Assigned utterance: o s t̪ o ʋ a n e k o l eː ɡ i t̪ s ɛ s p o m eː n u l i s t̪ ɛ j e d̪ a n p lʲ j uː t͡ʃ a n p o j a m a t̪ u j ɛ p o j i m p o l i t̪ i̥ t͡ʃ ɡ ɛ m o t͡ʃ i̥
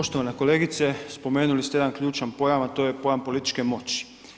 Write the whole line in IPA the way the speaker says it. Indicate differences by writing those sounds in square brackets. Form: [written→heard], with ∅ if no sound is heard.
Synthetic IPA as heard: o [s→ʃ] t̪ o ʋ a n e k o l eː ɡ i t̪ s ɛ s p o m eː n u l i s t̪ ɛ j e d̪ a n [p→k] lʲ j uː t͡ʃ a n p o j a m a t̪ [u→o] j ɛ p o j [i→a] m p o l i t̪ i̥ t͡ʃ [ɡ→k] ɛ m o t͡ʃ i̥